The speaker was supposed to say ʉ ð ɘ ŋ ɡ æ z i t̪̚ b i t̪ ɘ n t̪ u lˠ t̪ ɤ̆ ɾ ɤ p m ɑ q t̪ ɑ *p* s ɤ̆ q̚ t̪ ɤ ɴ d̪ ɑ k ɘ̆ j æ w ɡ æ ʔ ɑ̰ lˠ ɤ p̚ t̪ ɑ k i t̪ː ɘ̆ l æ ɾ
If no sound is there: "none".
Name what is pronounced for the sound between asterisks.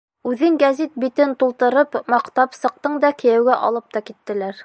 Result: p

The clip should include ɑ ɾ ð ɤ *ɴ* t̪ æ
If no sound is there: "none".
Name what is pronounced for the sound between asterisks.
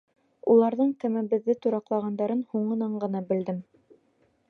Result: ɴ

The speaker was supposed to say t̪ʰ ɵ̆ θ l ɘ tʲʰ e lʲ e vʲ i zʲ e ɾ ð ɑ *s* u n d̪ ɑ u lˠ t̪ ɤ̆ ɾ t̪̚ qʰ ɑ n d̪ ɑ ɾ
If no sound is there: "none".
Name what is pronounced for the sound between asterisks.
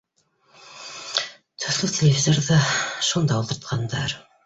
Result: ʃ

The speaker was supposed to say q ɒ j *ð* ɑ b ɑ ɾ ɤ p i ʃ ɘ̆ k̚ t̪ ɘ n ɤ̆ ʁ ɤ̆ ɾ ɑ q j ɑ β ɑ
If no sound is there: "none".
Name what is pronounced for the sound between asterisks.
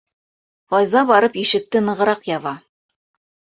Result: z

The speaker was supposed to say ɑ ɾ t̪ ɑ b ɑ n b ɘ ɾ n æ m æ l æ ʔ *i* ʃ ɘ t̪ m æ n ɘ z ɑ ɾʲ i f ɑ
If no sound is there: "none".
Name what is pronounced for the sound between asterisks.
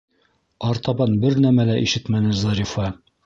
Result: i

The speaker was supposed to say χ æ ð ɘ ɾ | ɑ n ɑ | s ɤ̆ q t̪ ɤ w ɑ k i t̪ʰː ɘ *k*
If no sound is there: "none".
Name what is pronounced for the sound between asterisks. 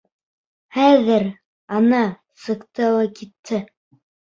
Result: none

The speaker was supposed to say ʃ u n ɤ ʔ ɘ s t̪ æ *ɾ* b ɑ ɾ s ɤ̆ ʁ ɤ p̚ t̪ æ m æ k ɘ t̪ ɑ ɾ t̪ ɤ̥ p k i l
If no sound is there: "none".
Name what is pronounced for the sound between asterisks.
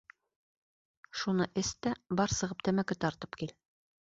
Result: none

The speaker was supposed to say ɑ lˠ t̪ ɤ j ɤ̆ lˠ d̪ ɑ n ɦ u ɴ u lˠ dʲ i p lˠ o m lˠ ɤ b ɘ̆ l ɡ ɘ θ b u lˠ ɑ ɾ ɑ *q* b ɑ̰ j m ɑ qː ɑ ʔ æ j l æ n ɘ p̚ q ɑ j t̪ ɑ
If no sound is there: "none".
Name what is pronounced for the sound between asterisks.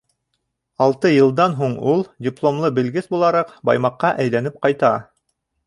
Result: q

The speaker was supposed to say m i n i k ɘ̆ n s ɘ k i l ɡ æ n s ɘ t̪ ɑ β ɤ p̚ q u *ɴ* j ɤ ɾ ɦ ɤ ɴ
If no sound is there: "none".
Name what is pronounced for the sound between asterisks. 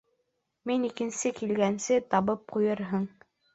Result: none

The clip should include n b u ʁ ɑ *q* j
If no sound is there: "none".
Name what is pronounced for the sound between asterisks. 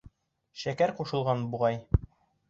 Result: none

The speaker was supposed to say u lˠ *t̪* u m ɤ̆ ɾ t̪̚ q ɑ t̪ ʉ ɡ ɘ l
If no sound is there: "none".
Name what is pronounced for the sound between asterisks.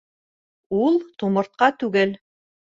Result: t̪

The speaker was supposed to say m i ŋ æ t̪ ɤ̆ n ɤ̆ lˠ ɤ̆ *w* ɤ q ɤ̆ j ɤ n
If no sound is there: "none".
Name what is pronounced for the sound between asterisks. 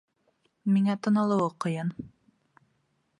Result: w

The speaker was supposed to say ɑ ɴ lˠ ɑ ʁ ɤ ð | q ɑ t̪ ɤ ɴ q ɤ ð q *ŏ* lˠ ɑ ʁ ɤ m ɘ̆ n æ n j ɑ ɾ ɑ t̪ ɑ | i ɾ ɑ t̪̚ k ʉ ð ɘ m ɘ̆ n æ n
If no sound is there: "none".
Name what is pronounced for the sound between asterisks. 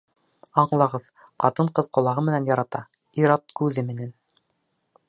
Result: ŏ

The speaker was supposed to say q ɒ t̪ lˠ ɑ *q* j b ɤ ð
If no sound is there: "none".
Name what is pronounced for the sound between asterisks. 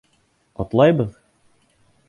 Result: none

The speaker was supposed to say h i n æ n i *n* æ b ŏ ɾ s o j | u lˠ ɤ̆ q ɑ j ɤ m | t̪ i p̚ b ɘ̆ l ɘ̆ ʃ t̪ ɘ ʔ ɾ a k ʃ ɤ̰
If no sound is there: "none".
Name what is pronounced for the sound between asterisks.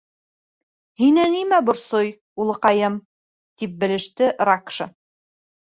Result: m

